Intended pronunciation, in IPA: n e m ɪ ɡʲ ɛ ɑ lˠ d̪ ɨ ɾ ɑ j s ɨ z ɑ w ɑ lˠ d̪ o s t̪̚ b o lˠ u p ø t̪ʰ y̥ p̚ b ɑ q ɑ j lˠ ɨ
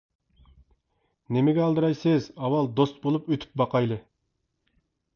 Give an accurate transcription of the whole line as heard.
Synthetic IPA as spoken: n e m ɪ ɡʲ ɛ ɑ lˠ d̪ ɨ ɾ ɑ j s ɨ z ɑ w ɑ lˠ d̪ o s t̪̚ b o lˠ u p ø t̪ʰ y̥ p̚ b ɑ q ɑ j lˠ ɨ